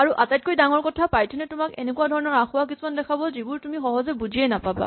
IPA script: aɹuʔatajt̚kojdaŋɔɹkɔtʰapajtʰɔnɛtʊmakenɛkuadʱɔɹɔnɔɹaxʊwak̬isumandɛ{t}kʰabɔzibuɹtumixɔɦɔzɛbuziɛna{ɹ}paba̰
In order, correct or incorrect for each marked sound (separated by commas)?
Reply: incorrect, incorrect